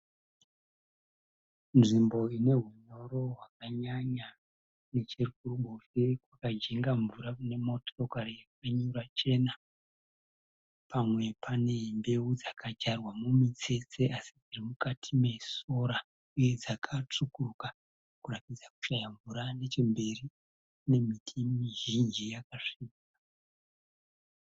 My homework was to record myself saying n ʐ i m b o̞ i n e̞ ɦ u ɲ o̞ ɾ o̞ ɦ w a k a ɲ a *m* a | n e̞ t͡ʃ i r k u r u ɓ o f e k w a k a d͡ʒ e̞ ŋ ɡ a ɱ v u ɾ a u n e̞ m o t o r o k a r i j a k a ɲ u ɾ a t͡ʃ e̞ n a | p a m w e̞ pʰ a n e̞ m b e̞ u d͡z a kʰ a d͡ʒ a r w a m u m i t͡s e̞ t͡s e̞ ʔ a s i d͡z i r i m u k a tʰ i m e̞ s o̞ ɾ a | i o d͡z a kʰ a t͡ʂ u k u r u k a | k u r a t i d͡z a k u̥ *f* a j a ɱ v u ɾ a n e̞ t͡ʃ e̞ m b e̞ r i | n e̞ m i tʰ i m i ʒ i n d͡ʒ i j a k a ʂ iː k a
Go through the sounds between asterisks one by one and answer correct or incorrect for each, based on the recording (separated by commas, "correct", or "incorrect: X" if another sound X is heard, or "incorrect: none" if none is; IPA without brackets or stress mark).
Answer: incorrect: ɲ, incorrect: ʃ